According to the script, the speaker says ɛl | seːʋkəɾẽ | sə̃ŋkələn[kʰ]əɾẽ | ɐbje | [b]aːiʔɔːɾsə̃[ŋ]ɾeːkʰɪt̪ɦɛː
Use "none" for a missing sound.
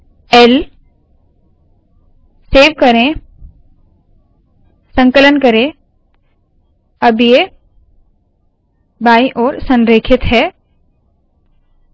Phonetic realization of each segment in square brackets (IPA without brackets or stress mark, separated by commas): k, b, n